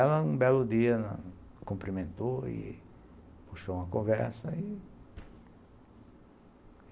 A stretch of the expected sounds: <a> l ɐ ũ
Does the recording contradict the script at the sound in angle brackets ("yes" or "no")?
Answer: yes